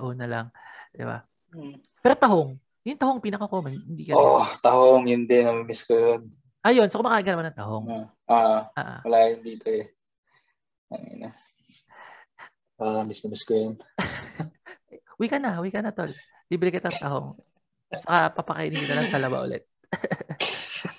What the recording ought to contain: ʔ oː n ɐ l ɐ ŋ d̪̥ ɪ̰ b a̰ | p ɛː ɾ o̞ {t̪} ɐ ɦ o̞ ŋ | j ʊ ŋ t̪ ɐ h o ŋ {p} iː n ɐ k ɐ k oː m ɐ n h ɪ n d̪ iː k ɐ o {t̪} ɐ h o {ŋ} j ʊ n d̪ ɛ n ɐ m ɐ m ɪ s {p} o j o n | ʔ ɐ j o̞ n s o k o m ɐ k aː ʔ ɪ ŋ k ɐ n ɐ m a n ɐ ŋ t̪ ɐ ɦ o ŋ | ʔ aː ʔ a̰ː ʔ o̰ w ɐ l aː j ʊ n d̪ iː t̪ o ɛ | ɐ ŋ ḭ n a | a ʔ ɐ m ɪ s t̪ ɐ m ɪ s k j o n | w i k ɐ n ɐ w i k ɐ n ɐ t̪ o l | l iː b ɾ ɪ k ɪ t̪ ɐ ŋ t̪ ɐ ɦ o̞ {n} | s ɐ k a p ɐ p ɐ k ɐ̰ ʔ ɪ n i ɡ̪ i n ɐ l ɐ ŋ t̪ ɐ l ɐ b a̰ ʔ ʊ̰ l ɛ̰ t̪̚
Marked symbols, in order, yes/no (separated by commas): yes, yes, yes, yes, no, no